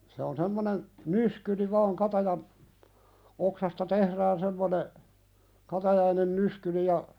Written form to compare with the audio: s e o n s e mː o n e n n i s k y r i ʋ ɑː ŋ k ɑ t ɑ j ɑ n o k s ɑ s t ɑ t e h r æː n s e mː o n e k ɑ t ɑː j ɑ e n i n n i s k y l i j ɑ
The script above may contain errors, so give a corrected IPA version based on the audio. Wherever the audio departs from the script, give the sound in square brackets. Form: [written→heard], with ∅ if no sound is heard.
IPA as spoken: s e o n s e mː o n e n n [i→y] s k y r i ʋ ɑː ŋ k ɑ t ɑ j ɑ n o k s ɑ s t ɑ t e h r æː n s e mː o n e k ɑ t [ɑː→ɑ] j ɑ [e→i] n [i→e] n n [i→y] s k y l i j ɑ